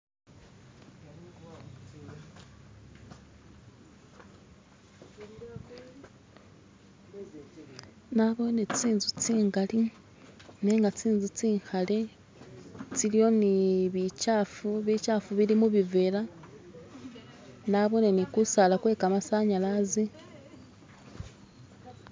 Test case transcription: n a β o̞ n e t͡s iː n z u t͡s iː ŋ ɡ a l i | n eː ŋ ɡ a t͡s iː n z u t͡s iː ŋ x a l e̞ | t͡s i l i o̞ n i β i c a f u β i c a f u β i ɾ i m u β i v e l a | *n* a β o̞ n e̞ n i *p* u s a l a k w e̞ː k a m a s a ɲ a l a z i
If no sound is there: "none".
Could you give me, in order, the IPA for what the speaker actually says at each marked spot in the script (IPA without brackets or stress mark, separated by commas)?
n, k